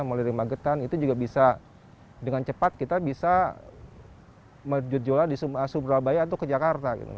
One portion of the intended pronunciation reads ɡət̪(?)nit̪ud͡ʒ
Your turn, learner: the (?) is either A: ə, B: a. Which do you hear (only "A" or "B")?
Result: B